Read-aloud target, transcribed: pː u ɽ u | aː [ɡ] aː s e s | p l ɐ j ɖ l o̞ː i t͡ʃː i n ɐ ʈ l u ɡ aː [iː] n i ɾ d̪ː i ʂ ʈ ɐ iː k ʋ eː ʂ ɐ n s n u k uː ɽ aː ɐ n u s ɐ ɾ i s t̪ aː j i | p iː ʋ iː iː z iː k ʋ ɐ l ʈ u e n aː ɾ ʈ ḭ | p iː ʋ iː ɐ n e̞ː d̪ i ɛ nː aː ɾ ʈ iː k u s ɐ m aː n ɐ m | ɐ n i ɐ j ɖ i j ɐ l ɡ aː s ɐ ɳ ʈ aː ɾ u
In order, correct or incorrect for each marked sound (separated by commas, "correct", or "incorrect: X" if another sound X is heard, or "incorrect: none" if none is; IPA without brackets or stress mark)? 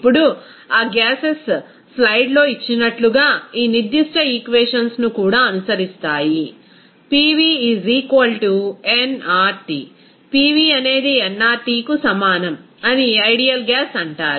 correct, correct